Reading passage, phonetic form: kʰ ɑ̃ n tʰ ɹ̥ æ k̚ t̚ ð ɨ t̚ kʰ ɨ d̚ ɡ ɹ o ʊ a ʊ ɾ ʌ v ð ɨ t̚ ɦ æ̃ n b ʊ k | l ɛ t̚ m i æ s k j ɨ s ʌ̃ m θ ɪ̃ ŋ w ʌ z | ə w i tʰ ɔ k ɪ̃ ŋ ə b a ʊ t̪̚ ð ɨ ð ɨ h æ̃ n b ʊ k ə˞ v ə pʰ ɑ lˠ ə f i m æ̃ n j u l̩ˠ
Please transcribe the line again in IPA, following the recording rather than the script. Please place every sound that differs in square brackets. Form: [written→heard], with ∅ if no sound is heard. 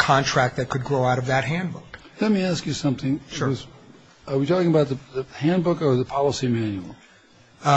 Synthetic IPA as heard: kʰ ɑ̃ n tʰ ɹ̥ æ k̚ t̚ ð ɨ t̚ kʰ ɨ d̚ ɡ ɹ o ʊ a ʊ ɾ ʌ v ð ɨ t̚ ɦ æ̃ n b ʊ k | l ɛ t̚ m i æ s k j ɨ s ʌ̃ m θ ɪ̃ ŋ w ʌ z | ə w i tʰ ɔ k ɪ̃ ŋ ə b a ʊ t̪̚ ð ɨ ð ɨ h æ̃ n b ʊ k ə˞ [v→ð] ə pʰ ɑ lˠ ə [f→s] i m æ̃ n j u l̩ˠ